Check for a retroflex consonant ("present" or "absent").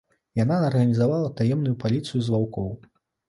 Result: absent